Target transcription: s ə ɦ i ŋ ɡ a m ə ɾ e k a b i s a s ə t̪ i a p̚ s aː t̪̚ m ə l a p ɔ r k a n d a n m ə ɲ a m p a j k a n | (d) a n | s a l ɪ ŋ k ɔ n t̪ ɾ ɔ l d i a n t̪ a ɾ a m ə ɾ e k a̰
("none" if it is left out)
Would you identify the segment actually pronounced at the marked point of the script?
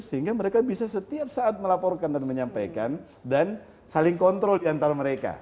d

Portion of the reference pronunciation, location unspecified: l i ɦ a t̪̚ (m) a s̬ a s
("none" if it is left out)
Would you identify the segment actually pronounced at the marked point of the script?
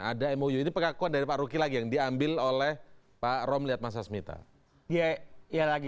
m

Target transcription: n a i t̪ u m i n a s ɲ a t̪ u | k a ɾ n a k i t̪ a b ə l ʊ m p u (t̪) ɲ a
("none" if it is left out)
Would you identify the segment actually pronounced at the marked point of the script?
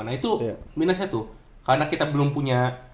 none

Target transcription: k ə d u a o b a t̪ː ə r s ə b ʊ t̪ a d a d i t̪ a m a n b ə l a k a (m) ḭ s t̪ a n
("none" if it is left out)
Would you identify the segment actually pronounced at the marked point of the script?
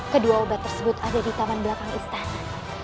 ŋ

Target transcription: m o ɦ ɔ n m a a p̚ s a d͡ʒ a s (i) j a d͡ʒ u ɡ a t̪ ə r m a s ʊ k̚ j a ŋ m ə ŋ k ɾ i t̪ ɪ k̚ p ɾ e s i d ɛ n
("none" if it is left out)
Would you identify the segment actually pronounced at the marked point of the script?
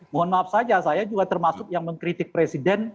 a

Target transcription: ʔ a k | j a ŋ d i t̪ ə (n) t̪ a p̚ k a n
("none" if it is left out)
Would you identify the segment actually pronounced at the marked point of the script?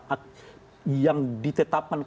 none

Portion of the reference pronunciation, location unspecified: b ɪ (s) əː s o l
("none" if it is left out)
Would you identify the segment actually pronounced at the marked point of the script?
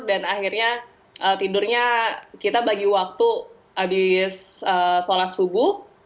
s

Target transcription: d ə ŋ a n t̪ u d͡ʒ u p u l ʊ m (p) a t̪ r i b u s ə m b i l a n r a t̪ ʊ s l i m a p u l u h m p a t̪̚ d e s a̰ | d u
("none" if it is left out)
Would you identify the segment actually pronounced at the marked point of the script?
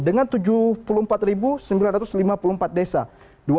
p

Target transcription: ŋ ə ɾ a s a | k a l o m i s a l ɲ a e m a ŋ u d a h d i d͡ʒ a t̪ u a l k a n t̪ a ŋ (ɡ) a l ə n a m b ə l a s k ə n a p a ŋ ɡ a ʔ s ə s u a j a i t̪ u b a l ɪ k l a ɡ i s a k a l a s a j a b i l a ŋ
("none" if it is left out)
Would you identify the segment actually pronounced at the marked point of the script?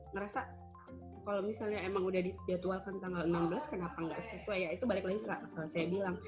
ɡ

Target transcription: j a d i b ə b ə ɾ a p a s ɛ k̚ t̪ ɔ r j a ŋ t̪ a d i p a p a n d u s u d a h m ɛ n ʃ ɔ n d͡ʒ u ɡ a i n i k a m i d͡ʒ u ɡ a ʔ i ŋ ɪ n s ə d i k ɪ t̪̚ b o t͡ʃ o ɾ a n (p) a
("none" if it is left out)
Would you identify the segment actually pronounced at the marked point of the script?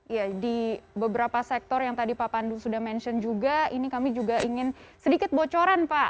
p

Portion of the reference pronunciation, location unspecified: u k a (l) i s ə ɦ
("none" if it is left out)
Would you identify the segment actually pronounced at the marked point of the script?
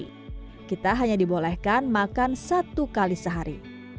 l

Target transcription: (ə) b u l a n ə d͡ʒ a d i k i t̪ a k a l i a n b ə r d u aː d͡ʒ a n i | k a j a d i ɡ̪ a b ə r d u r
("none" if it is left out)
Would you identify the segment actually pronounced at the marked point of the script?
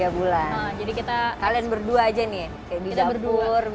a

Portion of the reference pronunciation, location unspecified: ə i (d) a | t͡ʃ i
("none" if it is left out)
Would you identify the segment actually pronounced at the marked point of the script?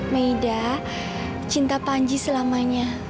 d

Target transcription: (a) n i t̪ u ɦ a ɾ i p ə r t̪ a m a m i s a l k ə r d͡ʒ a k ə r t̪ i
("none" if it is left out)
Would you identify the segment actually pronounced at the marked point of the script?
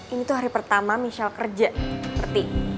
i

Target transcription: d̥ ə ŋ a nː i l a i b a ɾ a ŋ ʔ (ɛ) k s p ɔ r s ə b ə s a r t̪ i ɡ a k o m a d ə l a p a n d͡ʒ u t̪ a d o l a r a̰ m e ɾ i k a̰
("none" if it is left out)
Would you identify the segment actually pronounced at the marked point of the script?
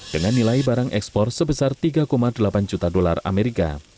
ɛ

